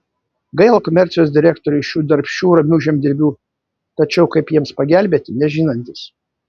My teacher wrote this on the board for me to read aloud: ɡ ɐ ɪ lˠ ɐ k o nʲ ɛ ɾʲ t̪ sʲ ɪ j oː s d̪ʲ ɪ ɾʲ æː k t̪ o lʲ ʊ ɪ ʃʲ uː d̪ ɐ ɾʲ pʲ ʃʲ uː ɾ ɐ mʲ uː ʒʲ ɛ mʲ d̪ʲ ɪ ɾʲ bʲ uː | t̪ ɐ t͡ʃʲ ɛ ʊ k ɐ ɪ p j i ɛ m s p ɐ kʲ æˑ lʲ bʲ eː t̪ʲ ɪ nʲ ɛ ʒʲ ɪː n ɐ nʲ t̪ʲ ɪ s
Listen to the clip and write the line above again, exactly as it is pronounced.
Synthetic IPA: ɡ ɐ ɪ lˠ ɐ k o mʲ ɛ ɾʲ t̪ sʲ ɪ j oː s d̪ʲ ɪ ɾʲ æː k t̪ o ɾʲ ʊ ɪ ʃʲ uː d̪ ɐ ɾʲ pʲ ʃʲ uː ɾ ɐ mʲ uː ʒʲ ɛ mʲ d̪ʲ ɪ ɾʲ bʲ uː | t̪ ɐ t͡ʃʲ ɛ ʊ k ɐ ɪ p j i ɛ m s p ɐ ɡʲ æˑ lʲ bʲ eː t̪ʲ ɪ nʲ ɛ ʒʲ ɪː n ɐ nʲ t̪ʲ ɪ s